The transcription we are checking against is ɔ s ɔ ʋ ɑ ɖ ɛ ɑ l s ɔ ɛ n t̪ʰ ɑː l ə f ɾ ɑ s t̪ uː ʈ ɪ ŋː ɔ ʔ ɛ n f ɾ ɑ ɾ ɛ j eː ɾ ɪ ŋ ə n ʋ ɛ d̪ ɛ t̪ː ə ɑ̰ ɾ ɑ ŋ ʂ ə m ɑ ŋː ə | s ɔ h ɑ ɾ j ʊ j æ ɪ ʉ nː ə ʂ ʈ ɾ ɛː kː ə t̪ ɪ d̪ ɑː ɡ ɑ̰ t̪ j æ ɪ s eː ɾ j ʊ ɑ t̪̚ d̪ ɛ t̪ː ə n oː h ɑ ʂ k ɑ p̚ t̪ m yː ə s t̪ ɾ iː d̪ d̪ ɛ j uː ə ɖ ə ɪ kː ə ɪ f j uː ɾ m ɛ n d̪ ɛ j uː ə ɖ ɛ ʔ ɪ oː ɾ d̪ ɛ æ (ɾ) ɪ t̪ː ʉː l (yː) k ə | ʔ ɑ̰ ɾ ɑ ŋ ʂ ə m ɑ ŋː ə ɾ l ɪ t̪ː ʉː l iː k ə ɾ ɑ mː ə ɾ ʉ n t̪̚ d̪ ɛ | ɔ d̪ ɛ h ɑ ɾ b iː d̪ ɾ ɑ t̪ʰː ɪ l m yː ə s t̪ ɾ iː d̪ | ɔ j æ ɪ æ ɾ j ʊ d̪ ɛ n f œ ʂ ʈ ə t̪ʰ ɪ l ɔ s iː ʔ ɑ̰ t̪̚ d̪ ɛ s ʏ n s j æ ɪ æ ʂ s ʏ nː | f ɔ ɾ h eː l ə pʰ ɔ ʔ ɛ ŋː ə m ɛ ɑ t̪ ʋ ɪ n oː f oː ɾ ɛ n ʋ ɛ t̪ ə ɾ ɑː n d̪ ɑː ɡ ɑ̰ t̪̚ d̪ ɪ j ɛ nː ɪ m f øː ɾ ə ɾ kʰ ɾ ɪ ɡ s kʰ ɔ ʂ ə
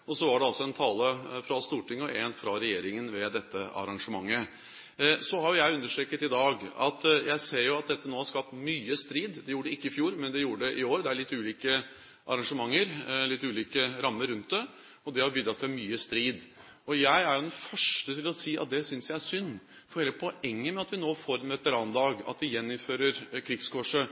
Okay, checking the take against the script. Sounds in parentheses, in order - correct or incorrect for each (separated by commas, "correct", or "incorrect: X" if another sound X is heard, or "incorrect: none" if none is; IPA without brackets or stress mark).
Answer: incorrect: ɭ, incorrect: iː